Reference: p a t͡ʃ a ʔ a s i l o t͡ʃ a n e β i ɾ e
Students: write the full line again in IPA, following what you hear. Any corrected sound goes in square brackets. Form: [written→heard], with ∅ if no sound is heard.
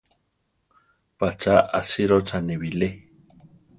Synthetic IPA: p a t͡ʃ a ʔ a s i [l→ɾ] o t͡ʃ a n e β i [ɾ→l] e